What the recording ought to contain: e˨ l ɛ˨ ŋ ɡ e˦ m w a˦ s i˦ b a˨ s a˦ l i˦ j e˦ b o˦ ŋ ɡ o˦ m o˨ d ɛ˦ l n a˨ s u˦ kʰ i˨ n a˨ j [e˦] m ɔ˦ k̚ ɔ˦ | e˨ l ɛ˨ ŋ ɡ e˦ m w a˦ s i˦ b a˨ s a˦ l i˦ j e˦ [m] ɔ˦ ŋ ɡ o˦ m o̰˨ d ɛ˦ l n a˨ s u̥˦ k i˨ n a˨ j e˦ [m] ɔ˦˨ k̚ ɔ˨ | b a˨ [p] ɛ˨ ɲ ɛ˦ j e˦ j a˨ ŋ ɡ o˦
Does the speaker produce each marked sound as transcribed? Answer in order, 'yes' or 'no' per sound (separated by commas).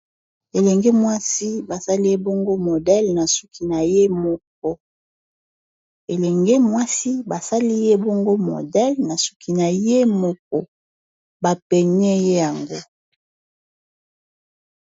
yes, no, yes, yes